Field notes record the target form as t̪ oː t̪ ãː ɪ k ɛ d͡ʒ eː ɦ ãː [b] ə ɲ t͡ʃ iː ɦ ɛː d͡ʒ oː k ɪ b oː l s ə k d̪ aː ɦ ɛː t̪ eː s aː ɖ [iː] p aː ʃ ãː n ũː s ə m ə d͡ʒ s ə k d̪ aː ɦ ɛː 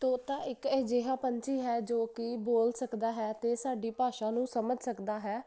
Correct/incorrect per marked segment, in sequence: incorrect: p, correct

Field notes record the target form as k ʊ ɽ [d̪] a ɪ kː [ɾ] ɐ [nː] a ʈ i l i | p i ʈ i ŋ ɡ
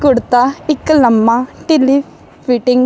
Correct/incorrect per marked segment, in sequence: incorrect: t̪, incorrect: l, incorrect: mː

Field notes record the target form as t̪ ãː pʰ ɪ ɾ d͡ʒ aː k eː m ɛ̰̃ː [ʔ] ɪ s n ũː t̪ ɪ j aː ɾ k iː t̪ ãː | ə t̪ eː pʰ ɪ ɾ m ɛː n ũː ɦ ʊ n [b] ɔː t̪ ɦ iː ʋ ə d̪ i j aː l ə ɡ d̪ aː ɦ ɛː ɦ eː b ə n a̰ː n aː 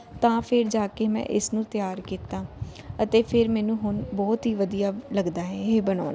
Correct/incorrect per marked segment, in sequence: correct, correct

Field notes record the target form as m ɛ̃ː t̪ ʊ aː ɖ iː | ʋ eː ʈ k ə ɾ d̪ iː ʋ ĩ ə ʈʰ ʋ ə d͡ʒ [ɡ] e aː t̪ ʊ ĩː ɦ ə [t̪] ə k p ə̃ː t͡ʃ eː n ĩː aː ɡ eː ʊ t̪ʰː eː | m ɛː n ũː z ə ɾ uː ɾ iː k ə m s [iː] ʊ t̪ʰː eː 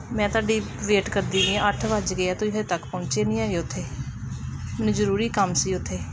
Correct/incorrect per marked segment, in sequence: correct, correct, correct

